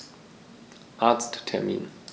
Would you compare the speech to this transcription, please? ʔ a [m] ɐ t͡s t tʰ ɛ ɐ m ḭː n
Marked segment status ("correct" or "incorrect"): incorrect